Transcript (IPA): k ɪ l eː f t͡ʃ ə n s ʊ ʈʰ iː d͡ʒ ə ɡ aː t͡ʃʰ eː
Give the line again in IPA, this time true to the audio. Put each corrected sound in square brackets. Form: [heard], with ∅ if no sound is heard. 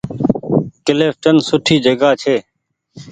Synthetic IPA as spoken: k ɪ l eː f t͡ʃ ə n s ʊ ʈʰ iː d͡ʒ ə ɡ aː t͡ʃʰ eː

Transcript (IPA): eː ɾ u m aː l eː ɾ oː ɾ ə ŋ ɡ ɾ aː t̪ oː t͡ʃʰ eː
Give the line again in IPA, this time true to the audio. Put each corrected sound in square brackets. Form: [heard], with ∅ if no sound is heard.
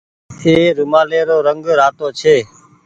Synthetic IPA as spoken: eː ɾ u m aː l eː ɾ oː ɾ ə ŋ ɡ ɾ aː t̪ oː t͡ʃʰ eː

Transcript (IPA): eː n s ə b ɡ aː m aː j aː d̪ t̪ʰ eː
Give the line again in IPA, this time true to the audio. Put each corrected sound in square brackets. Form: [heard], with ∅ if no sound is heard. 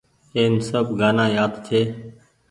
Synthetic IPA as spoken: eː n s ə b ɡ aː [n] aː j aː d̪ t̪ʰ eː

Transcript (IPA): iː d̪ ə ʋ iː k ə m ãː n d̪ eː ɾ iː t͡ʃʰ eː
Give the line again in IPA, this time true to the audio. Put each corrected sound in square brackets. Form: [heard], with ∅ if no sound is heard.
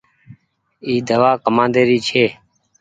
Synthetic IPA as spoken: iː d̪ ə ʋ [aː] k ə m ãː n d̪ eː ɾ iː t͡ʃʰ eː

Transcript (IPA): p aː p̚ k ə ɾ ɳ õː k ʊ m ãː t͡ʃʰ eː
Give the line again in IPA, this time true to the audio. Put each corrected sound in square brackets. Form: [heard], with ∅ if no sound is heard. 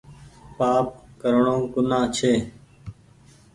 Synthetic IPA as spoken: p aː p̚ k ə ɾ ɳ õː k ʊ [n] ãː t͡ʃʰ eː

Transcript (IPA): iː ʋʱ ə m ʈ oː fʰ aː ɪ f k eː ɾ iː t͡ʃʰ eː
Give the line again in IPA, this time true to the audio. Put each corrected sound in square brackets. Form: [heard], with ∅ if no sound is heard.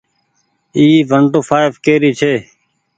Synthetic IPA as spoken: iː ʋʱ ə [ɳ] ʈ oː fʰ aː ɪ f k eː ɾ iː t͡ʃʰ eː

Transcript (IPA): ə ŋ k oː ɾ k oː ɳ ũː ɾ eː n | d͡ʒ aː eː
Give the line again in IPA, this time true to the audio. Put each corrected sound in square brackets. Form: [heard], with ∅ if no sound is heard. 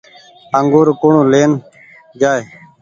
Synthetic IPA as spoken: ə ŋ [ɡ] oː ɾ k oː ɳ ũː [l] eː n | d͡ʒ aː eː

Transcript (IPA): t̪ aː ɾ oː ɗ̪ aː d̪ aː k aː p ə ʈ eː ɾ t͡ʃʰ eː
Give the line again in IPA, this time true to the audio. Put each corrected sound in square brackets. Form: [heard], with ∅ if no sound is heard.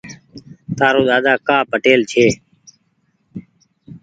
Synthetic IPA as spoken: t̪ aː ɾ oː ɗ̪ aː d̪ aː k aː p ə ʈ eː [l] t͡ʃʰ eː

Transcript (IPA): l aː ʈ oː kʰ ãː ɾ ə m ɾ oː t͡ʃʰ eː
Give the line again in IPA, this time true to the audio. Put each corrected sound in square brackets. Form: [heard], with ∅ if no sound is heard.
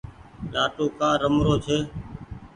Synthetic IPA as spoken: l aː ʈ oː [k] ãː ɾ ə m ɾ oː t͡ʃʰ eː

